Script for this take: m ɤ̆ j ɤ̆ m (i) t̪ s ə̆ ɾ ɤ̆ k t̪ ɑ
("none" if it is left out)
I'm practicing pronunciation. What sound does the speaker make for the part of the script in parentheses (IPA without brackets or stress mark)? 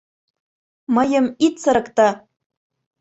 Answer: i